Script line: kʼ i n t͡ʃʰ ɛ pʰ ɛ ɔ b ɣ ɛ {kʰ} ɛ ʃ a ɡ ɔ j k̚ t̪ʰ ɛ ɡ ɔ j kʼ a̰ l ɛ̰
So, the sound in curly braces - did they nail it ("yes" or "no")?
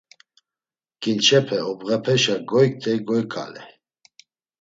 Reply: no